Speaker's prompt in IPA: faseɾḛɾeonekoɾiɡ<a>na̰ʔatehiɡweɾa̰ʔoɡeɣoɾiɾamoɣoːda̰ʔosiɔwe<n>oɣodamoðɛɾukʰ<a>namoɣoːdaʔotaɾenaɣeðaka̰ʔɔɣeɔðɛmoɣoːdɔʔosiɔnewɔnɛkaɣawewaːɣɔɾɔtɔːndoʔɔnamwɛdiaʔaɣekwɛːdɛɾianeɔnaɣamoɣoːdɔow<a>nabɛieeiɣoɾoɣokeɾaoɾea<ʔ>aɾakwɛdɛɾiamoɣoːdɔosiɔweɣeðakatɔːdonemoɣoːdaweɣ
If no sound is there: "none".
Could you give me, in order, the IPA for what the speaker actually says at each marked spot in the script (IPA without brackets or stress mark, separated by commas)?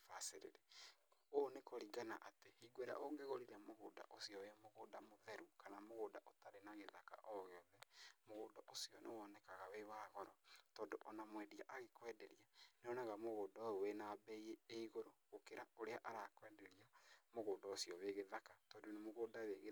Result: a, m, a, e, ʔ